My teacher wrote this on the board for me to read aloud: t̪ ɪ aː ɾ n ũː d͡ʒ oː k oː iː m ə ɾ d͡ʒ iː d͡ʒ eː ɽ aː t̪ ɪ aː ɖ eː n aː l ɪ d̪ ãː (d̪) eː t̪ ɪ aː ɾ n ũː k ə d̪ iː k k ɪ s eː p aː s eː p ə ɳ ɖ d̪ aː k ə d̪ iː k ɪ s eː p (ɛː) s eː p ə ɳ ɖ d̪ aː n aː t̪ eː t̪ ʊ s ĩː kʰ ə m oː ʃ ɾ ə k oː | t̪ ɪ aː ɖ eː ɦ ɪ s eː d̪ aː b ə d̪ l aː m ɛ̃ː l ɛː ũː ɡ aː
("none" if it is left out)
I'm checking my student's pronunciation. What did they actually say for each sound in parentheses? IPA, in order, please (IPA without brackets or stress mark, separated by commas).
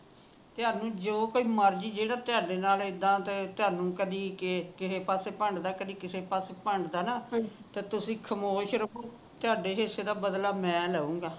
t̪, aː